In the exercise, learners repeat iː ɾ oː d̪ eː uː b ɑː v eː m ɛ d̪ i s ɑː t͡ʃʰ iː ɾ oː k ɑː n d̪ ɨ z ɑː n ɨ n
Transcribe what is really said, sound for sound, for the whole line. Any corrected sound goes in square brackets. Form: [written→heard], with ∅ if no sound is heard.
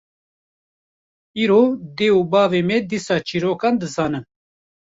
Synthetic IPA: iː ɾ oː d̪ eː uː b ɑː v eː m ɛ d̪ i s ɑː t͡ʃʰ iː ɾ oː k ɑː n d̪ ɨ z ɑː n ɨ n